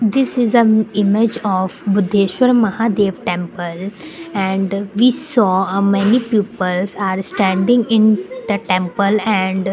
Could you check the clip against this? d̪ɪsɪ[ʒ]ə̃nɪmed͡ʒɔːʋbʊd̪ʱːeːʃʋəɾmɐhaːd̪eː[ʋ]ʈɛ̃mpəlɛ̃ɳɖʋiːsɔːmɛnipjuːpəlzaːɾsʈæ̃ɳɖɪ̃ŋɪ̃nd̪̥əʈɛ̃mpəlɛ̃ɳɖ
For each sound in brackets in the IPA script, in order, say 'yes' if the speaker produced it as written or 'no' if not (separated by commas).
no, yes